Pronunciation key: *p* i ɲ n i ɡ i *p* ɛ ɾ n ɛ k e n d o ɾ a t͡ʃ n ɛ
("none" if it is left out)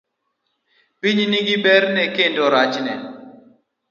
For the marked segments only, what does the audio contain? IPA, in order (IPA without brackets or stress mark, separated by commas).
p, b